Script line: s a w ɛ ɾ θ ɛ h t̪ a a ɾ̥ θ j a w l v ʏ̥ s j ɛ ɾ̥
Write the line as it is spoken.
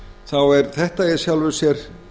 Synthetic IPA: θ a w ɛ ɾ θ ɛ h t̪ a ɛ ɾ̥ s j a w l v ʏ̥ s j ɛ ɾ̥